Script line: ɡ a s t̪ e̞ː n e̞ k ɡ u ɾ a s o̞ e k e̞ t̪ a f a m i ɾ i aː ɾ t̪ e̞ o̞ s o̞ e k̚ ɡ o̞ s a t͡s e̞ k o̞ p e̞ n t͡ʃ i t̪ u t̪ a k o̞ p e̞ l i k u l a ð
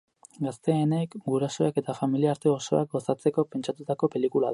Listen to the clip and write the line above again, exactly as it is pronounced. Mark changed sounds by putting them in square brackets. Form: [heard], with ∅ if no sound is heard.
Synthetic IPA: ɡ a s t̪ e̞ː n e̞ k ɡ u ɾ a s o̞ e k e̞ t̪ a f a m i [l] i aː ɾ t̪ e̞ o̞ s o̞ [a] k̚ ɡ o̞ s a t͡s e̞ k o̞ p e̞ n t͡ʃ [a] t̪ u t̪ a k o̞ p e̞ l i k u l a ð